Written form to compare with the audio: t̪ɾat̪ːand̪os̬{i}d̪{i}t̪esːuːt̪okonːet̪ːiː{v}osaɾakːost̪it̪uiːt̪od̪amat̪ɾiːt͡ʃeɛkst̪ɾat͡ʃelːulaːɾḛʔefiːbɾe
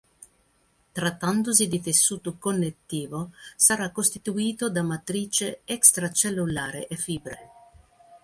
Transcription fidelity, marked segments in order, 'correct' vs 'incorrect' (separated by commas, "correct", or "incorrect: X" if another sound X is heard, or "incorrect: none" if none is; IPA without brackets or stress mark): correct, correct, correct